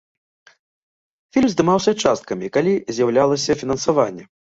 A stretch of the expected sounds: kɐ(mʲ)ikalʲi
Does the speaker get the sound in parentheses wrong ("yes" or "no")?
no